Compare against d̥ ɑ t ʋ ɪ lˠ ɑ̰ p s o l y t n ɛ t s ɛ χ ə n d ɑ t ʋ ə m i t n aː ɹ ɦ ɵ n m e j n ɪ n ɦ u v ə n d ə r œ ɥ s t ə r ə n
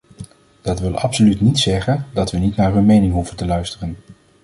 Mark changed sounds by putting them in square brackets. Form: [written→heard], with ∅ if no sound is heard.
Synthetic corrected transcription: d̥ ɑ t ʋ ɪ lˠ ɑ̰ p s o l y t n [ɛ→i] t s ɛ χ ə n d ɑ t ʋ ə [m→n] i t n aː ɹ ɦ ɵ n m e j n ɪ [n→ŋ] ɦ u v ə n [d→t] ə [r→l] œ ɥ s t ə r ə n